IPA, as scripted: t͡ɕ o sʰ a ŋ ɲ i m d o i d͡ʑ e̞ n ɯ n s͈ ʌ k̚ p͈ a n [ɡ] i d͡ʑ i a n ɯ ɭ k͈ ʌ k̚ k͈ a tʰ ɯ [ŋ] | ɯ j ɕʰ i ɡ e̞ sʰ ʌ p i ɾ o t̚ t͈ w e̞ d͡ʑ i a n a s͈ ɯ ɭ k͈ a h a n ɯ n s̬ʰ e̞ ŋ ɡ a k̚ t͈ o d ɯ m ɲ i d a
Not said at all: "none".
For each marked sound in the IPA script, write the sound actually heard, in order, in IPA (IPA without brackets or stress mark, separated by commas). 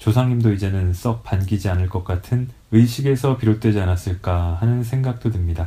ɡ, n